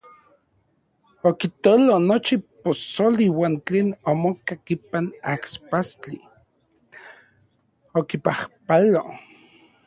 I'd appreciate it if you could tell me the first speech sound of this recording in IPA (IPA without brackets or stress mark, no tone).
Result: o